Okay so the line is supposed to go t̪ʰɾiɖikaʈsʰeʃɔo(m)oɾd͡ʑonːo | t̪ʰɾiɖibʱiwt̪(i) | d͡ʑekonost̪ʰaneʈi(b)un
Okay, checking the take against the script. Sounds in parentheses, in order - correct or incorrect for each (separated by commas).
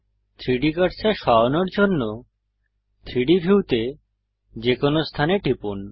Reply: incorrect, incorrect, incorrect